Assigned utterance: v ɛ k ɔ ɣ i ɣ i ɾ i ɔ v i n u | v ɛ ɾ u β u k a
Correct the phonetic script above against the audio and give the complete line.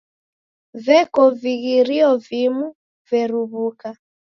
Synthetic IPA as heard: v ɛ k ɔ v i ɣ i ɾ i ɔ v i m u | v ɛ ɾ u β u k a